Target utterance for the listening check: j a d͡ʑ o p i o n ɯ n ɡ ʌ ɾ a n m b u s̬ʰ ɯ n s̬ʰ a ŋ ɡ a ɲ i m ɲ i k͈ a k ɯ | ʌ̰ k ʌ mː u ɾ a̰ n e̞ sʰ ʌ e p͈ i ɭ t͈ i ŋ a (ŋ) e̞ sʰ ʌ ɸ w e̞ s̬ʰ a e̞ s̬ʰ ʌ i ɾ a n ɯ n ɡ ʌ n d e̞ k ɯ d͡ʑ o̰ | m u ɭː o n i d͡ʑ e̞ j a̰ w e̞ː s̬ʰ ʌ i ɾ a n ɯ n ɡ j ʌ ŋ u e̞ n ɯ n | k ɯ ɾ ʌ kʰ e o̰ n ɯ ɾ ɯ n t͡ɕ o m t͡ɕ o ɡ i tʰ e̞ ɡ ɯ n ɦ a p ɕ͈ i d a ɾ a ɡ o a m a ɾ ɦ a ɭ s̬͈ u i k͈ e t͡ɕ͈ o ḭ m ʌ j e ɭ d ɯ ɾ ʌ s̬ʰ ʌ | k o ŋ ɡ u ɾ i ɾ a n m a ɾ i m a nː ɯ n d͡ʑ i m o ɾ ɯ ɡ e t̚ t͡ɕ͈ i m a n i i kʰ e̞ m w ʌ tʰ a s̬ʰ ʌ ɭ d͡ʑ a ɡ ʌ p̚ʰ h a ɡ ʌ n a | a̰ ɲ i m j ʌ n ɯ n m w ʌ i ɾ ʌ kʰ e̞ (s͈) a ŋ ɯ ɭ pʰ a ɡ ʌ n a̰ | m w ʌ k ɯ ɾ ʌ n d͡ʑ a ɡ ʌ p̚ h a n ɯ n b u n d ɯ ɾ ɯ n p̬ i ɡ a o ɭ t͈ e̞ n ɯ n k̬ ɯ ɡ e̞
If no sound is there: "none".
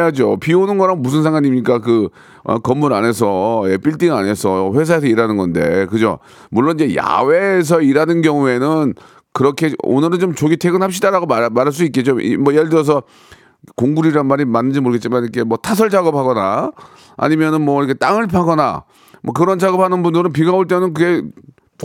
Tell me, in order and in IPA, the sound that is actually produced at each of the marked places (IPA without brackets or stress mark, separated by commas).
n, t͈